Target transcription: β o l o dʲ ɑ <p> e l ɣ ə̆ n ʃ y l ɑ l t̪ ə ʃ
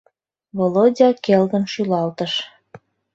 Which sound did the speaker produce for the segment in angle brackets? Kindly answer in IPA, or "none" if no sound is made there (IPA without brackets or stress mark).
k